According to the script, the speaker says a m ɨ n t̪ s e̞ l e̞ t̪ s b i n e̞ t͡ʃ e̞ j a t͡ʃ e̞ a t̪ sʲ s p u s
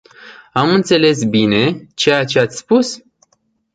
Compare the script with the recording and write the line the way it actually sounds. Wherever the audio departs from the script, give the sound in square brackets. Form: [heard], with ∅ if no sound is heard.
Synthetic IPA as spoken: a m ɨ n t̪ s e̞ l e̞ [∅] s b i n e̞ t͡ʃ e̞ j a t͡ʃ e̞ a t̪ sʲ s p u s

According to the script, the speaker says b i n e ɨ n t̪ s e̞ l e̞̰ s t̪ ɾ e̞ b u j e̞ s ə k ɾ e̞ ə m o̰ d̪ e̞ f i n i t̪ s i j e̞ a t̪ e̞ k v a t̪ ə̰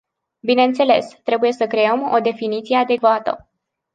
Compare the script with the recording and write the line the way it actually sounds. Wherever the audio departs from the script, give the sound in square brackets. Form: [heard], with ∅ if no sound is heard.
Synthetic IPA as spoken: b i n e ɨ n t̪ s e̞ l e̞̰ s t̪ ɾ e̞ b u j e̞ s ə k ɾ e̞ ə m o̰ d̪ e̞ f i n i t̪ s i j e̞ a [d̪] e̞ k v a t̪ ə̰

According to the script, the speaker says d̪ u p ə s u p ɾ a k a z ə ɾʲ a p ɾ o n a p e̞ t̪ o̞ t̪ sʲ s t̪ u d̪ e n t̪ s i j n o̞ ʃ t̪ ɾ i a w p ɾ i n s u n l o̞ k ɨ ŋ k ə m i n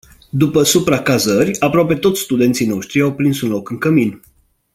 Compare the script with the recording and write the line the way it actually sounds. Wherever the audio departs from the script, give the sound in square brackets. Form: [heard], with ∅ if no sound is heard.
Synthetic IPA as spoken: d̪ u p ə s u p ɾ a k a z ə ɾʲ a p ɾ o [∅] a p e̞ t̪ o̞ t̪ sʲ s t̪ u d̪ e n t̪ s i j n o̞ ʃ t̪ ɾ i a w p ɾ i n s u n l o̞ k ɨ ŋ k ə m i n

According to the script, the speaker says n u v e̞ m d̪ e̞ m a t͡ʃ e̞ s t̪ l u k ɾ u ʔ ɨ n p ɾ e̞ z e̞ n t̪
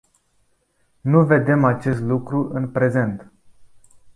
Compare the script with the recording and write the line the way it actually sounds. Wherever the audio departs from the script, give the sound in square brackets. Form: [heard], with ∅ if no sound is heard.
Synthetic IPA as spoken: n u v e̞ [∅] d̪ e̞ m a t͡ʃ e̞ s t̪ l u k ɾ u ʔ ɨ n p ɾ e̞ z e̞ n t̪

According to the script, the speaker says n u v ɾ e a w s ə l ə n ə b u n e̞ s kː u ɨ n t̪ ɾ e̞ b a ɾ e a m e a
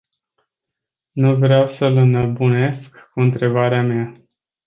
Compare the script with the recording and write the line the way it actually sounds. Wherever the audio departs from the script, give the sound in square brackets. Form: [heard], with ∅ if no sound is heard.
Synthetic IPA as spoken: n u v ɾ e a w s ə l ə n ə b u n e̞ s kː u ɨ n t̪ ɾ e̞ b a ɾ e a m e a

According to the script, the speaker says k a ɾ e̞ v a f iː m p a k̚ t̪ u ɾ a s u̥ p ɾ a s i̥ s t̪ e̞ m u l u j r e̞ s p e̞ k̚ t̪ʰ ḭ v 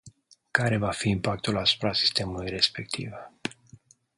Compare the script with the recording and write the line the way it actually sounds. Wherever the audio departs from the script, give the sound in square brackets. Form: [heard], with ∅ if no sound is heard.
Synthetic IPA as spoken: k a ɾ e̞ v a f iː m p a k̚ t̪ u [l] a s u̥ p ɾ a s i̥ s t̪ e̞ m u l u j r e̞ s p e̞ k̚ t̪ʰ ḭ v

